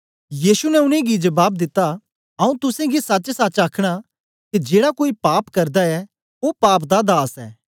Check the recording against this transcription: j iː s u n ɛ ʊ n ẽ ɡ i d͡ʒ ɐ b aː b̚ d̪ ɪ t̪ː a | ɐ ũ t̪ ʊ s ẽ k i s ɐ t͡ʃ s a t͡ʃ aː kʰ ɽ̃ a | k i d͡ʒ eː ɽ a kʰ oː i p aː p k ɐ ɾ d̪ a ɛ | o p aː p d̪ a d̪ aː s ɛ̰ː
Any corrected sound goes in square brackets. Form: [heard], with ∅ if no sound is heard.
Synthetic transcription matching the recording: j iː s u n ɛ ʊ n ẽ ɡ i d͡ʒ ɐ b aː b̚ d̪ ɪ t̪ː a | ɐ ũ t̪ ʊ s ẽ [ɡ] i s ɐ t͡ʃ s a t͡ʃ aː kʰ ɽ̃ a | k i d͡ʒ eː ɽ a [k] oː i p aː p k ɐ ɾ d̪ a ɛ | o p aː p d̪ a d̪ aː s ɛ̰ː

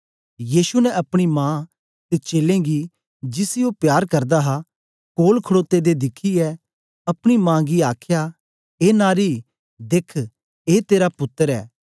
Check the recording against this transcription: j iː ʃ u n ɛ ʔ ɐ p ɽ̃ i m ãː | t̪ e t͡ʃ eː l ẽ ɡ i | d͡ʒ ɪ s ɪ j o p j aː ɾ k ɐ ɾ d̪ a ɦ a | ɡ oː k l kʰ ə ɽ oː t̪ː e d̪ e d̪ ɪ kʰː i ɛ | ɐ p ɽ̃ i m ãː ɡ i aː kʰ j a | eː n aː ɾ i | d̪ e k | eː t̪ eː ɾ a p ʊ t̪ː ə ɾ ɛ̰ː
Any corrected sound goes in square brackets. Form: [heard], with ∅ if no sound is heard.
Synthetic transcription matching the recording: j iː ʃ u n ɛ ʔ ɐ p ɽ̃ i m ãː | t̪ e t͡ʃ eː l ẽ ɡ i | d͡ʒ ɪ s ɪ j o p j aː ɾ k ɐ ɾ d̪ a ɦ a | [k] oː [∅] l kʰ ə ɽ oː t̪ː e d̪ e d̪ ɪ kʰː i ɛ | ɐ p ɽ̃ i m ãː ɡ i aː kʰ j a | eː n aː ɾ i | d̪ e [kʰ] | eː t̪ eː ɾ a p ʊ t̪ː ə ɾ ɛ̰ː

